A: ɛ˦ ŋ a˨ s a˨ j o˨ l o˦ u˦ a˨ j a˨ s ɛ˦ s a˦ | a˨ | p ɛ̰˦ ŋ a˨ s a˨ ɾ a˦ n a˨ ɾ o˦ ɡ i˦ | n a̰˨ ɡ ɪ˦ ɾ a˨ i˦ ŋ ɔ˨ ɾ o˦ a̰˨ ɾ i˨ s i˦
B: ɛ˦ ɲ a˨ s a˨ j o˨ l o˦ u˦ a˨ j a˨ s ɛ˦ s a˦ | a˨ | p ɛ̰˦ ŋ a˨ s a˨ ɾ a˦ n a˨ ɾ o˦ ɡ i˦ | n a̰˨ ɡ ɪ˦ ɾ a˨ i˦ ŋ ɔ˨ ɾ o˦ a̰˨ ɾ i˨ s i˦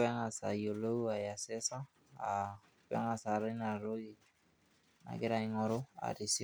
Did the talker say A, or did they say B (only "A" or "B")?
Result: A